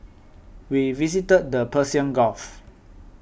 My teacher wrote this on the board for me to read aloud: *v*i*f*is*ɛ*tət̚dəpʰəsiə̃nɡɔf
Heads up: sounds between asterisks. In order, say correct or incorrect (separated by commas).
incorrect, incorrect, incorrect